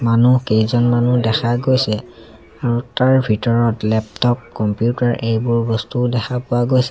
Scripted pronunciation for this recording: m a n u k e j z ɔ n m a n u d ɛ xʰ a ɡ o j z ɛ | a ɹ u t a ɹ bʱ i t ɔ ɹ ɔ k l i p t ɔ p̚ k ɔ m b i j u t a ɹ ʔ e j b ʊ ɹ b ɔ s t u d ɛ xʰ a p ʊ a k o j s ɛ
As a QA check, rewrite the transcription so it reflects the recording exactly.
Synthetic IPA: m a n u k e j z ɔ n m a n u d ɛ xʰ a ɡ o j s ɛ | a ɹ u t a ɹ bʱ i t ɔ ɹ ɔ t l ɛ p t ɔ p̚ k ɔ m p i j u t a ɹ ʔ e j b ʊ ɹ b ɔ s t u d ɛ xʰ a p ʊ a ɡ o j s ɛ